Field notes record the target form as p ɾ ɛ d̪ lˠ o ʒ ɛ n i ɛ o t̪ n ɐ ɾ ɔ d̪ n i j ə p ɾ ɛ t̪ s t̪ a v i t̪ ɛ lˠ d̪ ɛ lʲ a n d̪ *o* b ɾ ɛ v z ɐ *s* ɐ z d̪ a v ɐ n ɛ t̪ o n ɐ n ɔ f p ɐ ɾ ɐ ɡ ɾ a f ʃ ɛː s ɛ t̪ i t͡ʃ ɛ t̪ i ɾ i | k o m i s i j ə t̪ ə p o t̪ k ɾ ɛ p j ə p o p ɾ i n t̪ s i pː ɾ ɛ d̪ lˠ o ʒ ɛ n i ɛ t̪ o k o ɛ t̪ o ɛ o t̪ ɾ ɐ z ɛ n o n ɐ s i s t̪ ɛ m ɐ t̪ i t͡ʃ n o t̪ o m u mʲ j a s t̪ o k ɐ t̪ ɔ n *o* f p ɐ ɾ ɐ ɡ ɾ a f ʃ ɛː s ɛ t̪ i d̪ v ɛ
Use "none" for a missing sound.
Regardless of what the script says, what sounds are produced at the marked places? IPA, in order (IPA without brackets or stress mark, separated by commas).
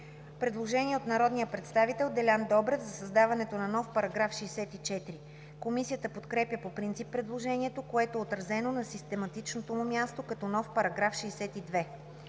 ɔ, s, ɔ